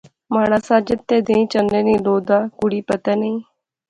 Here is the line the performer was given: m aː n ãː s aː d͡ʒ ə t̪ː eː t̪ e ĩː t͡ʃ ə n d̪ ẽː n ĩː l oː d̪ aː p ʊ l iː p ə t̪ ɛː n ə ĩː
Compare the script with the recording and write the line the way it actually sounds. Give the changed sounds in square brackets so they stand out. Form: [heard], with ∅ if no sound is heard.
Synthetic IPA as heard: m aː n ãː s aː d͡ʒ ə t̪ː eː [d̪] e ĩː t͡ʃ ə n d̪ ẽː n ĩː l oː d̪ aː [k] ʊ [ɽ] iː p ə t̪ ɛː n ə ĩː